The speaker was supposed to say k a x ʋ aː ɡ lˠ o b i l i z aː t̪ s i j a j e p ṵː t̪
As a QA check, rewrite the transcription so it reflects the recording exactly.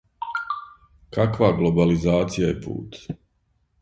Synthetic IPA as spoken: k a k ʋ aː ɡ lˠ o b a l i z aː t̪ s i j a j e p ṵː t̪